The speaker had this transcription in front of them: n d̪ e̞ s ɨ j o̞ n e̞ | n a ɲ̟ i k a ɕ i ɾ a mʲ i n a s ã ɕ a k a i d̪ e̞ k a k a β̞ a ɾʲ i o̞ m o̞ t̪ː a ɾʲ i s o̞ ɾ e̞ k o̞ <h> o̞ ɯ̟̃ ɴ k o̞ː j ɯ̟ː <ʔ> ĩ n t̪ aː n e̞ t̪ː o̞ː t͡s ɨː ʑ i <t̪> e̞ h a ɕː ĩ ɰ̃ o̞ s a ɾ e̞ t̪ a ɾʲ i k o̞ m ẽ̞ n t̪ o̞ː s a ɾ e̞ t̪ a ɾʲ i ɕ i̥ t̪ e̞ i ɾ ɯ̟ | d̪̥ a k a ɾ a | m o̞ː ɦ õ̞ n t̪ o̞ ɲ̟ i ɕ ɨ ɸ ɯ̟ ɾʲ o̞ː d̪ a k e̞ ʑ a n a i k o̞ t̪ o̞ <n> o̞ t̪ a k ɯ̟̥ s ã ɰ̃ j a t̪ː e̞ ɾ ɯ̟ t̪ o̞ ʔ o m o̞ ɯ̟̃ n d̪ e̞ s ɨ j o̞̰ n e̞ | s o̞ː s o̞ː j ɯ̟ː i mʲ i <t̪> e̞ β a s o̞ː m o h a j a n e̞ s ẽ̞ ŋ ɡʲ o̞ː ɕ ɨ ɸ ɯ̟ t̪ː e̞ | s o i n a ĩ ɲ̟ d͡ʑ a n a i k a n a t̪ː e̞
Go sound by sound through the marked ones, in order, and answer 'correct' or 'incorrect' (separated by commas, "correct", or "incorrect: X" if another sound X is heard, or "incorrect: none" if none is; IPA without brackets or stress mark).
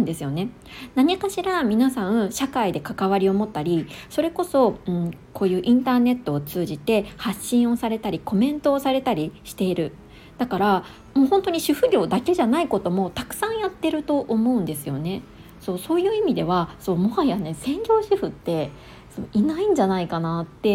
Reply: incorrect: s, correct, correct, incorrect: m, incorrect: d̪